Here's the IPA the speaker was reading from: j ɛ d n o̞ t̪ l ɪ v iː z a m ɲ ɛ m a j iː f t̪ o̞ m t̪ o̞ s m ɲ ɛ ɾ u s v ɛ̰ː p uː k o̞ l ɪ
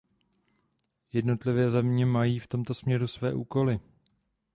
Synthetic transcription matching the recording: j ɛ d n o̞ t̪ l ɪ v ɛː z ɛ m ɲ ɛ m a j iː f t̪ o̞ m t̪ o̞ s m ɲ ɛ ɾ u s v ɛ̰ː ʔ uː k o̞ l ɪ